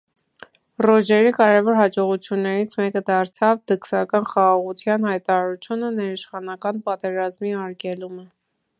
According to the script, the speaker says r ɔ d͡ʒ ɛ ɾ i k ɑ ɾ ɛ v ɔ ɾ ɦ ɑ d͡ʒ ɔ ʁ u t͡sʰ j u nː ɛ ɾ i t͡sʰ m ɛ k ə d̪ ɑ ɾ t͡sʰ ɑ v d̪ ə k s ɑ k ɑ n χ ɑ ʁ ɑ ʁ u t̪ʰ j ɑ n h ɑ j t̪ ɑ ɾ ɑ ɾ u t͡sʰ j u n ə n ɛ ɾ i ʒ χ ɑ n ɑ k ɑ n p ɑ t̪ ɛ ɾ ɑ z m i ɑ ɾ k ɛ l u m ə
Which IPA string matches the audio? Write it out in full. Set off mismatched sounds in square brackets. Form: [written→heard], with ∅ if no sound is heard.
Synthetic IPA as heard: r ɔ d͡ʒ ɛ ɾ i k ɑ ɾ ɛ v ɔ ɾ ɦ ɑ d͡ʒ ɔ ʁ u t͡sʰ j u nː ɛ ɾ i t͡sʰ m ɛ k ə d̪ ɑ ɾ t͡sʰ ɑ v d̪ ə k s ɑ k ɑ n χ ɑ ʁ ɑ ʁ u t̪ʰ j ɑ n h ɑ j t̪ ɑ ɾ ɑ ɾ u t͡sʰ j u n ə n ɛ ɾ i [ʒ→ʃ] χ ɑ n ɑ k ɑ n p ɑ t̪ ɛ ɾ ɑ z m i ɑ ɾ k ɛ l u m ə

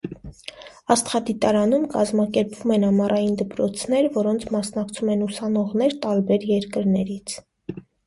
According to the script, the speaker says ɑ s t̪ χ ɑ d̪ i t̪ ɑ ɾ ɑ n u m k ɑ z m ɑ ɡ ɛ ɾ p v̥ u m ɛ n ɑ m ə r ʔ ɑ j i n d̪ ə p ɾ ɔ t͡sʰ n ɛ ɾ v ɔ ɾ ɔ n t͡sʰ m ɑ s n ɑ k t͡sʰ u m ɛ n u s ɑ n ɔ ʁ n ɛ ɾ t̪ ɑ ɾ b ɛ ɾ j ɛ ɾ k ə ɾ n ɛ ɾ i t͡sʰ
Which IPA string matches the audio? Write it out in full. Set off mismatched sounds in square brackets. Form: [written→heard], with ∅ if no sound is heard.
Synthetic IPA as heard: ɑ s t̪ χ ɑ d̪ i t̪ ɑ ɾ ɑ n u m k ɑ z m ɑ [ɡ→k] ɛ ɾ p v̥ u m ɛ n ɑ m [ə→ɑ] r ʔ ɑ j i n d̪ ə p ɾ ɔ t͡sʰ n ɛ ɾ v ɔ ɾ ɔ n t͡sʰ m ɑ s n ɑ k t͡sʰ u m ɛ n u s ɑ n ɔ ʁ n ɛ ɾ t̪ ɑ ɾ b ɛ ɾ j ɛ ɾ k ə ɾ n ɛ ɾ i t͡sʰ

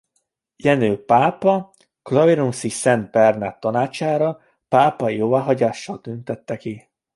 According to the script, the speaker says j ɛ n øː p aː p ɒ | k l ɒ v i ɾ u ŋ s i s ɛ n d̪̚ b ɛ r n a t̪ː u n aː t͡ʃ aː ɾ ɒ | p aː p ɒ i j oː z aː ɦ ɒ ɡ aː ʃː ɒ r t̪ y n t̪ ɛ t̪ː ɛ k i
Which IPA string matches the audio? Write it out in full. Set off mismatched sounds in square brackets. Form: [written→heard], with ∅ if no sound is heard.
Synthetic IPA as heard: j ɛ n øː p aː p ɒ | k l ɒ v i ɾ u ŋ s i s ɛ n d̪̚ b ɛ r n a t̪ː [u→ɒ] n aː t͡ʃ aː ɾ ɒ | p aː p ɒ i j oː [z→v] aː ɦ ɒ [ɡ→ɟ] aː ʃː ɒ [r→l] t̪ y n t̪ ɛ t̪ː ɛ k i

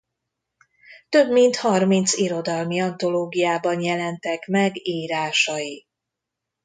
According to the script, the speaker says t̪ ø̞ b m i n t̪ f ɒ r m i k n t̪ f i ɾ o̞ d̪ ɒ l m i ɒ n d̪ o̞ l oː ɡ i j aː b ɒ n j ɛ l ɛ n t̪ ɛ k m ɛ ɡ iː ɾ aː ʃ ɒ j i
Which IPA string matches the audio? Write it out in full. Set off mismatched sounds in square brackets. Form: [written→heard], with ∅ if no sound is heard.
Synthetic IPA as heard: t̪ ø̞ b m i n t̪ [f→h] ɒ r m i [k→∅] n t̪ [f→s] i ɾ o̞ d̪ ɒ l m i ɒ n [d̪→t̪] o̞ l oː ɡ i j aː b ɒ n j ɛ l ɛ n t̪ ɛ k m ɛ ɡ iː ɾ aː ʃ ɒ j i

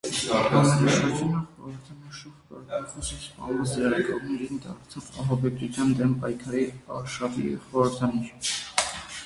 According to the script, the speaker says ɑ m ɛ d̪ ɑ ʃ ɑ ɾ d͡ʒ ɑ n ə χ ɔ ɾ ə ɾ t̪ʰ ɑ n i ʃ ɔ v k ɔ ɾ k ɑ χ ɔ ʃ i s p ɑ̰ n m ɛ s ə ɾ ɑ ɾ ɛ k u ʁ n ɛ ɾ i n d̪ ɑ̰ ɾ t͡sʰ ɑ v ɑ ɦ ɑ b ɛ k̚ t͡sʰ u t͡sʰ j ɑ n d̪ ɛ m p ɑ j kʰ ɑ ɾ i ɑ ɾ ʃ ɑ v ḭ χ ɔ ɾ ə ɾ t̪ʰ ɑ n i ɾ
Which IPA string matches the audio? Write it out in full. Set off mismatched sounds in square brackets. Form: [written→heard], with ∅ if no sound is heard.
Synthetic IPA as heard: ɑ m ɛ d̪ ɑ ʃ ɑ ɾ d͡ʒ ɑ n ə χ ɔ ɾ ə ɾ t̪ʰ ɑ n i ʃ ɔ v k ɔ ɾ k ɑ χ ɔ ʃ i s p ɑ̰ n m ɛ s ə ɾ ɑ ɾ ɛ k [u→ɔ] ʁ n ɛ ɾ i n d̪ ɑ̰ ɾ t͡sʰ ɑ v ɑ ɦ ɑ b ɛ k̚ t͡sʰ u t͡sʰ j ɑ n d̪ ɛ m p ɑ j kʰ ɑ ɾ i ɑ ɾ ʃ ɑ v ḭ χ ɔ ɾ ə ɾ t̪ʰ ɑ n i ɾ

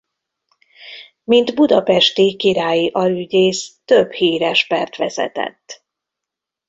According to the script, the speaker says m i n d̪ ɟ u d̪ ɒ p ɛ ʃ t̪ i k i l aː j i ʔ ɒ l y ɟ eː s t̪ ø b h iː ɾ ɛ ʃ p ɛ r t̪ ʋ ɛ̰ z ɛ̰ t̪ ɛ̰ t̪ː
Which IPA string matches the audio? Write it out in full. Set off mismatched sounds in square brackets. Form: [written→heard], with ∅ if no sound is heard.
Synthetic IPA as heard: m i n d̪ [ɟ→b] u d̪ ɒ p ɛ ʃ t̪ i k i [l→ɾ] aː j i ʔ ɒ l y ɟ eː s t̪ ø b h iː ɾ ɛ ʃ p ɛ r t̪ ʋ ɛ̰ z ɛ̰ t̪ ɛ̰ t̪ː

